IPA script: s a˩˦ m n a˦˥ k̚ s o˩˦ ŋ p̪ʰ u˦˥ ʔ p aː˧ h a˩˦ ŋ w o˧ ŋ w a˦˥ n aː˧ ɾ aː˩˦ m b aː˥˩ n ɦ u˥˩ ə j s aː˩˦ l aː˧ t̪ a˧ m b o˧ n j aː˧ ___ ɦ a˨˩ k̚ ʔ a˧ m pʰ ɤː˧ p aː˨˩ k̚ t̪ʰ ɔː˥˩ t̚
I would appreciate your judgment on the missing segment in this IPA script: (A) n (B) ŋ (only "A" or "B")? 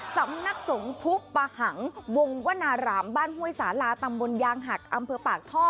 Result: B